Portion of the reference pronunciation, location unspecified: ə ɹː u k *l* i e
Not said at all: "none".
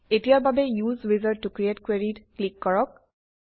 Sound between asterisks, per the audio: ɹ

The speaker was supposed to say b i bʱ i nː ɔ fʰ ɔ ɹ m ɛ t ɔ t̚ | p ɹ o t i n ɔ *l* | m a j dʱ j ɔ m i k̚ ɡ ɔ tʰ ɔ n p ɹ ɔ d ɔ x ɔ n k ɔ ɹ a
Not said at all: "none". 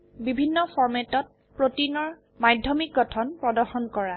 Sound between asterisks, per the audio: ɹ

